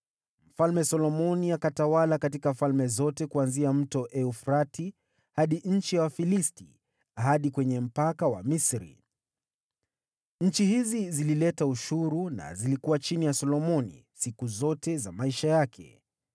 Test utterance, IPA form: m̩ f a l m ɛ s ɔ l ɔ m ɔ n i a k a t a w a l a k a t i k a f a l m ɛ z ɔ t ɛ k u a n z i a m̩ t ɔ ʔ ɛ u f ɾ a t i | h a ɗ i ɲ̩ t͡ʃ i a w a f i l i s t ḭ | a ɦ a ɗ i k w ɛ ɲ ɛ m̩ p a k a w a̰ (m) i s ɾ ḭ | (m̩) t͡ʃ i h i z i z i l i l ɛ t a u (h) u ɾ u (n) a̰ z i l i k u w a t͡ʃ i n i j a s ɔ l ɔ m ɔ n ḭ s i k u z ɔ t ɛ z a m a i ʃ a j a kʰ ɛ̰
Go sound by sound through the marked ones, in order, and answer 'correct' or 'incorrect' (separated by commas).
correct, incorrect, incorrect, correct